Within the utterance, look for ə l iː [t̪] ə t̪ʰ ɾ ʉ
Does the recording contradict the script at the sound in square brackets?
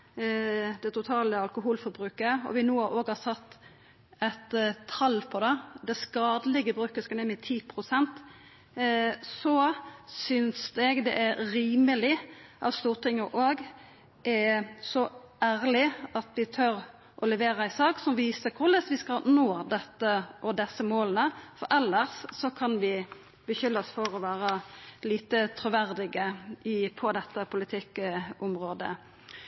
no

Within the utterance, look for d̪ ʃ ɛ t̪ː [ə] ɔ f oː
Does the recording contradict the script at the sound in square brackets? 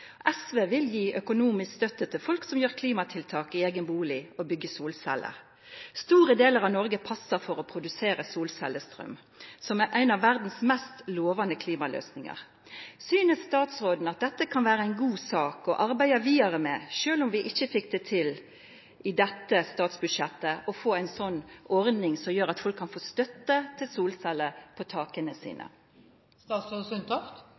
no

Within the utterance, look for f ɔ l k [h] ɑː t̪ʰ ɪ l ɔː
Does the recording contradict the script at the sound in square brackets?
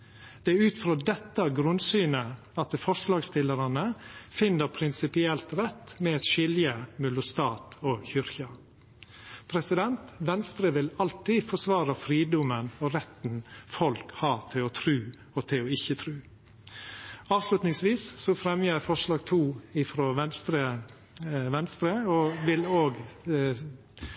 no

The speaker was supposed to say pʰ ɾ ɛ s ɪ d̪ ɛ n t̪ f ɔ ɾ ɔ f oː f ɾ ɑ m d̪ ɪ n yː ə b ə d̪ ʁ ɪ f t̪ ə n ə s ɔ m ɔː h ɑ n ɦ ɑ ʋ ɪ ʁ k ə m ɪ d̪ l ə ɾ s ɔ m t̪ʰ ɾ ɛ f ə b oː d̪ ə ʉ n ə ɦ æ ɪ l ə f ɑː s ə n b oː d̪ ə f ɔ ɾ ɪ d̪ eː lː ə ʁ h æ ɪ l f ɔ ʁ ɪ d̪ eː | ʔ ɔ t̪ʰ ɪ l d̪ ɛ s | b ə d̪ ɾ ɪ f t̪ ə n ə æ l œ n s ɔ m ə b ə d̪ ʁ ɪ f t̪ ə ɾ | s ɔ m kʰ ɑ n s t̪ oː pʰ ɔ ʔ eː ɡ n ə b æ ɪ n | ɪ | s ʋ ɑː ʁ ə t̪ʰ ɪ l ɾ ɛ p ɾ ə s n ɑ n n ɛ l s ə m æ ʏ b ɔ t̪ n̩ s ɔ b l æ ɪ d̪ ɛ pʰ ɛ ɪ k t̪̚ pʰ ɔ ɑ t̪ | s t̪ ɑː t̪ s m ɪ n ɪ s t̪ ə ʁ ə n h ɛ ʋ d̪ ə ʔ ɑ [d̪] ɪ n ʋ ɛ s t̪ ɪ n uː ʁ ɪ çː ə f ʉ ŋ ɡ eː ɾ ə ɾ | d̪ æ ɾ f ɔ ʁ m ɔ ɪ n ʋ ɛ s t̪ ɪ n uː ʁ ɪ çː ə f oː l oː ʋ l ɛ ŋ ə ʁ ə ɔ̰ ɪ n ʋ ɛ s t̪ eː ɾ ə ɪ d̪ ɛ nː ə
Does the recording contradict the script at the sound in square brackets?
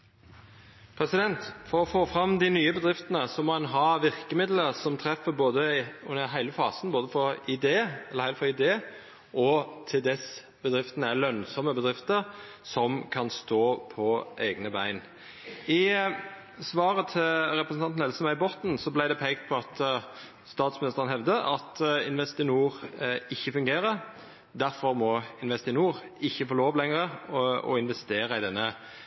yes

